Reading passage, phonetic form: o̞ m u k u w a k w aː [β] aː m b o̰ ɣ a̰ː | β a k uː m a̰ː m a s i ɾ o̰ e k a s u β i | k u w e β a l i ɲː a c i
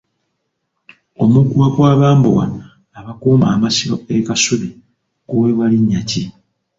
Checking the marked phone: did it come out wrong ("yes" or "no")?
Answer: no